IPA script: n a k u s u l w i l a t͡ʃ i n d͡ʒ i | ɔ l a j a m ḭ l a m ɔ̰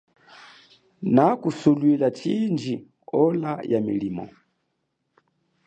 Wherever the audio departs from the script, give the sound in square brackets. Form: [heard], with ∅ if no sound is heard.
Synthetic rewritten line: n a k u s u l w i l a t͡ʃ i n d͡ʒ i | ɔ l a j a m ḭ l [i] m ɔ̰